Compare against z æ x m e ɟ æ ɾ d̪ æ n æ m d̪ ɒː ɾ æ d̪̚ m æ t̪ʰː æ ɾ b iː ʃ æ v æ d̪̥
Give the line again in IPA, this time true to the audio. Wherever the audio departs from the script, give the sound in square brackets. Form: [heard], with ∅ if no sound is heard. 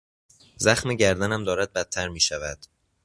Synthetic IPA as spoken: z æ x m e ɟ æ ɾ d̪ æ n æ m d̪ ɒː ɾ æ d̪̚ [b] æ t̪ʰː æ ɾ [m] iː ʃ æ v æ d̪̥